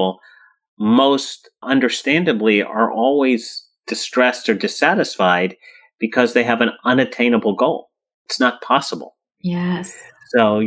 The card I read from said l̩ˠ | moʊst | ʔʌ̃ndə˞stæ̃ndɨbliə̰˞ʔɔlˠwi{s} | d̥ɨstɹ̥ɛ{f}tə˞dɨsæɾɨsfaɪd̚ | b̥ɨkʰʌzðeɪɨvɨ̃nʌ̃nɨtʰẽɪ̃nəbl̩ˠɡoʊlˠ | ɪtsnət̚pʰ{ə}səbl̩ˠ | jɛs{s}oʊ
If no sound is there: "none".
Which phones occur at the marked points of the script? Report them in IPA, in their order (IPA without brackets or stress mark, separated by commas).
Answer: z, s, ɑ, s